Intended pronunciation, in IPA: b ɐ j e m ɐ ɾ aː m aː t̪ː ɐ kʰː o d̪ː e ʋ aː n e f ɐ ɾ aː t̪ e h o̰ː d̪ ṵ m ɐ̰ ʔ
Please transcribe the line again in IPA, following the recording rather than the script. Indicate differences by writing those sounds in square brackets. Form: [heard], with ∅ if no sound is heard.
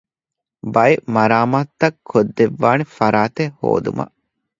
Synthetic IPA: b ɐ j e m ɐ ɾ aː m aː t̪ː ɐ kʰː o d̪ː e [ʋː] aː n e f ɐ ɾ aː t̪ e h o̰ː d̪ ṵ m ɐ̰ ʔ

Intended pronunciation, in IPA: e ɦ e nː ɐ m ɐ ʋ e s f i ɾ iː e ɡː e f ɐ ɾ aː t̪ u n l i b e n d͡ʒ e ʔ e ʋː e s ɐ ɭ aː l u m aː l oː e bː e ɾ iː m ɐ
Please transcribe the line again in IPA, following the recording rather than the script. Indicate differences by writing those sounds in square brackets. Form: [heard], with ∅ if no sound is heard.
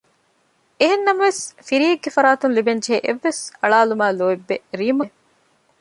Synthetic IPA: e ɦ e nː ɐ m ɐ ʋ e s f i ɾ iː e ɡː e f ɐ ɾ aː t̪ u n l i b e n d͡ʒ e ʔ e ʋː e s ɐ ɭ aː l u m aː l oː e bː e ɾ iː m ɐ

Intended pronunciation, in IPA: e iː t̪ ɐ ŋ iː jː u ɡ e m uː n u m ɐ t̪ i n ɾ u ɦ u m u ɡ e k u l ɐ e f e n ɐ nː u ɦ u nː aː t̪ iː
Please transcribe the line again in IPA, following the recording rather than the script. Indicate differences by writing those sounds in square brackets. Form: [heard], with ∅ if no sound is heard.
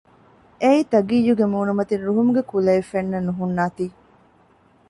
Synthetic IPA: e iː t̪ ɐ [ɡ] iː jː u ɡ e m uː n u m ɐ t̪ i n ɾ u ɦ u m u ɡ e k u l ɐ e f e [nː] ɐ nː u ɦ u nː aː t̪ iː

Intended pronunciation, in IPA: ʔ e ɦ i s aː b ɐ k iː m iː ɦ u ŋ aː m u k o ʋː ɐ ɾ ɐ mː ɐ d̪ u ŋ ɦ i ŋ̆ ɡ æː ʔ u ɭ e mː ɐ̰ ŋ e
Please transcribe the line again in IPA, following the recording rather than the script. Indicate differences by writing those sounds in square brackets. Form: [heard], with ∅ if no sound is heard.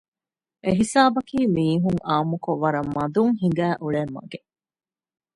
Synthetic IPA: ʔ e ɦ i s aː b ɐ k iː m iː ɦ u ŋ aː m u k o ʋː ɐ ɾ ɐ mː ɐ d̪ u ŋ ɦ i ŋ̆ ɡ æː ʔ u ɭ e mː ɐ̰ [ɡ] e

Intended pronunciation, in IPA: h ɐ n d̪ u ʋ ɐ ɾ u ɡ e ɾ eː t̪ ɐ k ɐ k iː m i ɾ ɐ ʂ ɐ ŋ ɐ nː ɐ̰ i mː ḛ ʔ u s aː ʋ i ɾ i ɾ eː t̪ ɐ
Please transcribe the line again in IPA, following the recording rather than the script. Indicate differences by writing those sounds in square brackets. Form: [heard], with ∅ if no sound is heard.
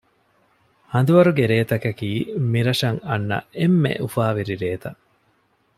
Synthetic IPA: h ɐ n d̪ u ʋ ɐ ɾ u ɡ e ɾ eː t̪ ɐ k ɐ k iː m i ɾ ɐ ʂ ɐ ŋ ɐ nː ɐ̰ [e] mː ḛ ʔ u [f] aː ʋ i ɾ i ɾ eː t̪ ɐ

